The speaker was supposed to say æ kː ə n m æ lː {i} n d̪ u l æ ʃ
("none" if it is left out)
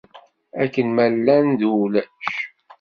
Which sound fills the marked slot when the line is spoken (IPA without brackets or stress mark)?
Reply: æ